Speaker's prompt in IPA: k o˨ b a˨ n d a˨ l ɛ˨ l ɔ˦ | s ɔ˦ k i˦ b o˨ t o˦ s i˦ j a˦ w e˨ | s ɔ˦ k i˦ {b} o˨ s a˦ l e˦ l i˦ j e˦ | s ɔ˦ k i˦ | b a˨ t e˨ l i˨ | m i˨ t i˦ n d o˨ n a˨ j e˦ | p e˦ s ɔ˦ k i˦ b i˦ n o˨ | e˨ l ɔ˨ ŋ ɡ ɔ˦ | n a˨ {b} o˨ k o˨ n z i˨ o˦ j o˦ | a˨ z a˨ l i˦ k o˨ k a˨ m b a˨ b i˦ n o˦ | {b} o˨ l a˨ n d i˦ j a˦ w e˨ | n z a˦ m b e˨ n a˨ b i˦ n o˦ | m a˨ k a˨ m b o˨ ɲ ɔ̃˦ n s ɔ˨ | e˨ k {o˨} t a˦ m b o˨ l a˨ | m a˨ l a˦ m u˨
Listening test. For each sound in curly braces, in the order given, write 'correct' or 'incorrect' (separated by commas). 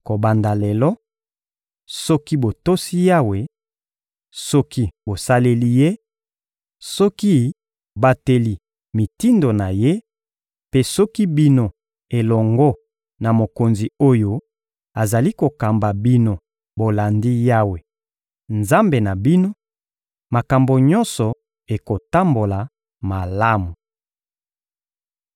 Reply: correct, incorrect, correct, correct